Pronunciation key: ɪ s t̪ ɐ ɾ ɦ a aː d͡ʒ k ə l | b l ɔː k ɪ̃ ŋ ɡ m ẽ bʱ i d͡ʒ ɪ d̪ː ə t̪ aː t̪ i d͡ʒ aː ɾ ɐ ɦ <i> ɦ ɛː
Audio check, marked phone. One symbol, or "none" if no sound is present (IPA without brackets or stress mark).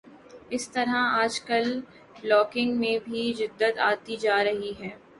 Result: i